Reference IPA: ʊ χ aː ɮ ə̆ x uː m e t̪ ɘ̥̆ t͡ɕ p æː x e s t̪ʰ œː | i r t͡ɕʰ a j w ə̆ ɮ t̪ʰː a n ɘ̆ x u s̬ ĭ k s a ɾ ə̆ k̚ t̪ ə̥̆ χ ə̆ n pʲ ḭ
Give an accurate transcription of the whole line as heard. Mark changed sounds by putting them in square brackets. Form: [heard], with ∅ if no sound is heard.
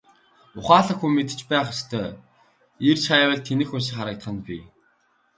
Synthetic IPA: ʊ χ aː ɮ ə̆ x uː m e t̪ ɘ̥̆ t͡ɕ p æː [χ] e s t̪ʰ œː | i r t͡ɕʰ a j w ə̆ ɮ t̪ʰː [e] n ɘ̆ x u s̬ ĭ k [χ] a ɾ ə̆ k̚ t̪ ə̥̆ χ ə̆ n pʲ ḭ